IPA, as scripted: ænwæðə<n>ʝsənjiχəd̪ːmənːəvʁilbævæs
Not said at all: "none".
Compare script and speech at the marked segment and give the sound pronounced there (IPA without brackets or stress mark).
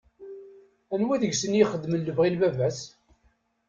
none